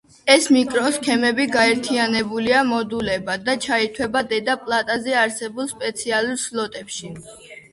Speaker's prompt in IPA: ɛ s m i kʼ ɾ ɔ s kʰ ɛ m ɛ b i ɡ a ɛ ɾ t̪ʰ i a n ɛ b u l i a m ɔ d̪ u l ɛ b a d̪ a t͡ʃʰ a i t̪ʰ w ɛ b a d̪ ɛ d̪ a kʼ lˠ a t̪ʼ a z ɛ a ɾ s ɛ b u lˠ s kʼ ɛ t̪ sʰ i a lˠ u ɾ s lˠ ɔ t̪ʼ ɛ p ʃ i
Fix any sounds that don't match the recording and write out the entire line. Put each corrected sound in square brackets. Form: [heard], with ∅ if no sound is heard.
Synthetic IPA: ɛ s m i kʼ ɾ ɔ s kʰ ɛ m ɛ b i ɡ a ɛ ɾ t̪ʰ i a n ɛ b u l i a m ɔ d̪ u l ɛ b a d̪ a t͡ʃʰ a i t̪ʰ w ɛ b a d̪ ɛ d̪ a [pʼ] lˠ a t̪ʼ a z ɛ a ɾ s ɛ b u lˠ s [pʼ] ɛ t̪ sʰ i a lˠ u ɾ s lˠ ɔ t̪ʼ ɛ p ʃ i